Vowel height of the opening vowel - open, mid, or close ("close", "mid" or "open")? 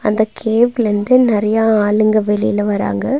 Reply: open